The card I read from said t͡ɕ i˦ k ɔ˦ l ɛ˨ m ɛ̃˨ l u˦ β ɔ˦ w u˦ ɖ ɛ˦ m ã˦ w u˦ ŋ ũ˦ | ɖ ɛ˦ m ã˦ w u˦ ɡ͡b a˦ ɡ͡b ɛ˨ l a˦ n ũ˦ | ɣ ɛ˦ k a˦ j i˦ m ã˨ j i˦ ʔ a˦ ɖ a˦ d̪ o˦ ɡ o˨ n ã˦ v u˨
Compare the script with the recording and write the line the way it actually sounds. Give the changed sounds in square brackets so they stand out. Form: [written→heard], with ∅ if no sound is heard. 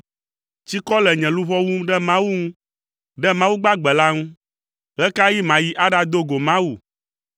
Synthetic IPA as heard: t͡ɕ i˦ k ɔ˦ l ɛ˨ [m→ɲ] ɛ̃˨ l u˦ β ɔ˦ w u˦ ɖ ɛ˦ m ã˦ w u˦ ŋ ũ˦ | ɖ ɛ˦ m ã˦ w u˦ ɡ͡b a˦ ɡ͡b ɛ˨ l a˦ [n→ŋ] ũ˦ | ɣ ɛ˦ k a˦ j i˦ m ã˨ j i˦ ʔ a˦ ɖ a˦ d̪ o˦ ɡ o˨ [n→m] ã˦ [v→w] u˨